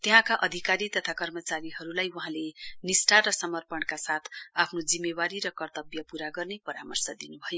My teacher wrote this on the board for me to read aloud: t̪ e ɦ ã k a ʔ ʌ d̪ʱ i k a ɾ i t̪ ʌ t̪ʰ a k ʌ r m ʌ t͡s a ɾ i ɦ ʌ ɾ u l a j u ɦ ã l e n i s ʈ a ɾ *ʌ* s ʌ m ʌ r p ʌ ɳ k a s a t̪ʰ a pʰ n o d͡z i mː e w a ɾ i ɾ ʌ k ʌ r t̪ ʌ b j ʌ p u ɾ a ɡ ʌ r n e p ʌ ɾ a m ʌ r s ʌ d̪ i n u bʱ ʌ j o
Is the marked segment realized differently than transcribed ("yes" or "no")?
no